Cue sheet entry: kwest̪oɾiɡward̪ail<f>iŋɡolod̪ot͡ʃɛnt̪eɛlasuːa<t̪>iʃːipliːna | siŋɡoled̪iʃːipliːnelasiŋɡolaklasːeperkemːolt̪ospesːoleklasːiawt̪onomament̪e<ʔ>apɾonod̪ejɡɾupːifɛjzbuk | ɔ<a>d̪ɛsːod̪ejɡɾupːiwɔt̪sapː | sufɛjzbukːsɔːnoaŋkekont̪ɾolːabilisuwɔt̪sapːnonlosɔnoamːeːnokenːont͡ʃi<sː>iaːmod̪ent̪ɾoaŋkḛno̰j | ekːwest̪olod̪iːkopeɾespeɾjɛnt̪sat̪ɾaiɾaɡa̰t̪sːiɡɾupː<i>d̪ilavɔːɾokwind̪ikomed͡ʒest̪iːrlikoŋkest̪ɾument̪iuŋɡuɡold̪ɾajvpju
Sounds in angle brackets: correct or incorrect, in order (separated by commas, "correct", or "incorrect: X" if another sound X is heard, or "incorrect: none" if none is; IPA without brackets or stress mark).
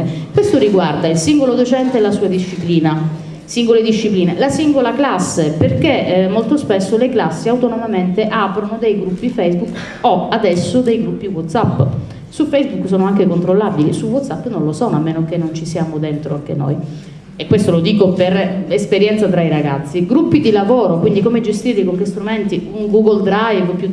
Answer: incorrect: s, incorrect: d̪, correct, correct, incorrect: s, correct